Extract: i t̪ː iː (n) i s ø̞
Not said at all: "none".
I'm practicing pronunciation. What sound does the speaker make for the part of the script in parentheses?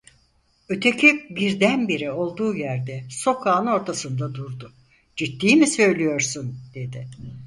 m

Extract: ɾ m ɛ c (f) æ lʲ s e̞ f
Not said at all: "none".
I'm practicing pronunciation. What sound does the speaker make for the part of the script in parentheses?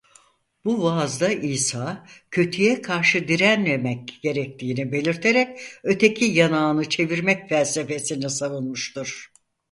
f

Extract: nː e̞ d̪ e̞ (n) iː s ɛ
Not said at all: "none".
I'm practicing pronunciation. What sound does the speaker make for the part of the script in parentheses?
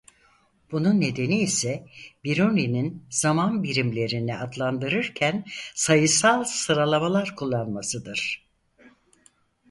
n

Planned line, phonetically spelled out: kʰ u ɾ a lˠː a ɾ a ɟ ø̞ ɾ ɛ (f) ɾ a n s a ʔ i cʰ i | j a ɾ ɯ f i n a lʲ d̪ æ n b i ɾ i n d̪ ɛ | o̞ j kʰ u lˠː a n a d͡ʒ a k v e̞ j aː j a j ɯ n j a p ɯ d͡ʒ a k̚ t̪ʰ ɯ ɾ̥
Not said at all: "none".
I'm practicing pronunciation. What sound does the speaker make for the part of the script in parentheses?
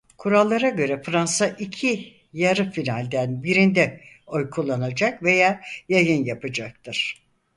f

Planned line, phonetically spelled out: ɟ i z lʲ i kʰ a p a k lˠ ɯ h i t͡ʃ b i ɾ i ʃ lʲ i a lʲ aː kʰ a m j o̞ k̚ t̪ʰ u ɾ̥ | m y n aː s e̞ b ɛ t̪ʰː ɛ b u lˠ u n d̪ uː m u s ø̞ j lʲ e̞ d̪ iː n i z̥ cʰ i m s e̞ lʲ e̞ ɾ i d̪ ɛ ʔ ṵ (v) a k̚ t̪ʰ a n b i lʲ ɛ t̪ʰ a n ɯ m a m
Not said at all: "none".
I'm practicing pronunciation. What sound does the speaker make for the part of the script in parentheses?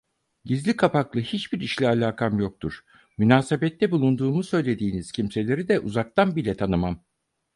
z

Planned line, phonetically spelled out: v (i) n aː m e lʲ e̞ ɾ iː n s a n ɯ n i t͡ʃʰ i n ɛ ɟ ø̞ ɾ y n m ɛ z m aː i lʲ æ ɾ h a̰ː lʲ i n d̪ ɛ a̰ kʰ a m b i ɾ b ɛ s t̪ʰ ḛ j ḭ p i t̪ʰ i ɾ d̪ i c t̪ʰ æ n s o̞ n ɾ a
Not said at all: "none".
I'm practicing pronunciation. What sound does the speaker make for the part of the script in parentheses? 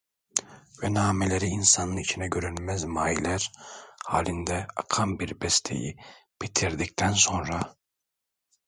ɛ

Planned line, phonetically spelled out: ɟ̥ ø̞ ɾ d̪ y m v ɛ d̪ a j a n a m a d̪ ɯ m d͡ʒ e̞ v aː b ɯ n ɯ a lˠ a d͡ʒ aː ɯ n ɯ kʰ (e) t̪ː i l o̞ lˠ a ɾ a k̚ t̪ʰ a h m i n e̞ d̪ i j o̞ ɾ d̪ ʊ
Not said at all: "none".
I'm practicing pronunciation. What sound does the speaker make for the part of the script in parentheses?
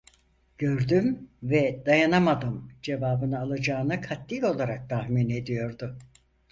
a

